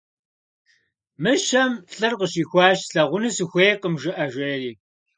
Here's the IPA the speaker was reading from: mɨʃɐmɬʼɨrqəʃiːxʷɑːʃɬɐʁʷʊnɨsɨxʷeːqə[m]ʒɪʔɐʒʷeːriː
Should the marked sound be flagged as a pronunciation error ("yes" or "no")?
no